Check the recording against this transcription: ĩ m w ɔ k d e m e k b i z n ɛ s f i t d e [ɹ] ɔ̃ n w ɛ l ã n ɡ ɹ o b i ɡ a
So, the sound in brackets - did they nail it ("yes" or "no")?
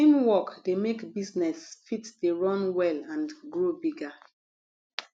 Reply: yes